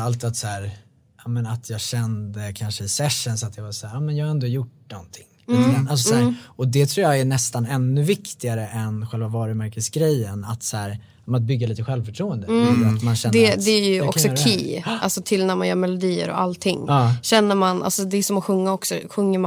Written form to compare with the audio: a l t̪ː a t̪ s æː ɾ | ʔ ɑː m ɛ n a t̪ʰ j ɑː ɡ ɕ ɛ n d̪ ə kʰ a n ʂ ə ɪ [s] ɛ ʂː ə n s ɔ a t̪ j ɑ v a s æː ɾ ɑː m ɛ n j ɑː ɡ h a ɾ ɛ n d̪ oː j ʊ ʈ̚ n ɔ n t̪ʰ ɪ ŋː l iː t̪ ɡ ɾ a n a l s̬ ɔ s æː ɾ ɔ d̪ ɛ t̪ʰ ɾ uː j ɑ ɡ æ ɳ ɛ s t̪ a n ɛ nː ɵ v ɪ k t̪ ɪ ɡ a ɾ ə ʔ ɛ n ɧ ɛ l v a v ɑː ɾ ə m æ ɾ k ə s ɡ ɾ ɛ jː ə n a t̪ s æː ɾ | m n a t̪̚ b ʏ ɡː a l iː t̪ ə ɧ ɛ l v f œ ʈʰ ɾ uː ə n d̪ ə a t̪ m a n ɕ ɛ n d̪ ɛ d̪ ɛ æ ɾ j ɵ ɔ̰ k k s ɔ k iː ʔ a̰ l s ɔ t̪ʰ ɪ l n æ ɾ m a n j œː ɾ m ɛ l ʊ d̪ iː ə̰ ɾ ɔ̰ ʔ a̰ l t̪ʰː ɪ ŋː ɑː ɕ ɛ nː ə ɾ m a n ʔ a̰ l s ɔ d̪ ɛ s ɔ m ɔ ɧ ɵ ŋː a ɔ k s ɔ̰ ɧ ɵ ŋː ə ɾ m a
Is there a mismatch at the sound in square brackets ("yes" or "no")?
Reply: no